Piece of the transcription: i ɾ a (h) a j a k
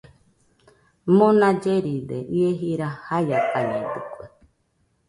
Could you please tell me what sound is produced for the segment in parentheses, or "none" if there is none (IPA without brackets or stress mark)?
h